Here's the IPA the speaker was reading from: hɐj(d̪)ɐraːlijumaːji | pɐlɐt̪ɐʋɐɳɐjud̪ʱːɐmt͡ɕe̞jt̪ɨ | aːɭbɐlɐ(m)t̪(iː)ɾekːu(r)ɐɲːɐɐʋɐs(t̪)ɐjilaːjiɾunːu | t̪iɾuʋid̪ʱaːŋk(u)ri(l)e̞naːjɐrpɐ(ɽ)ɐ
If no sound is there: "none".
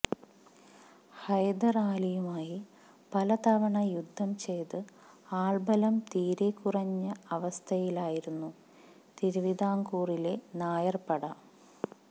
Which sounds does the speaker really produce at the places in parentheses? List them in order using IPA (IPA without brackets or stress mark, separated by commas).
d̪, m, iː, r, t̪ʰ, uː, l, ɽ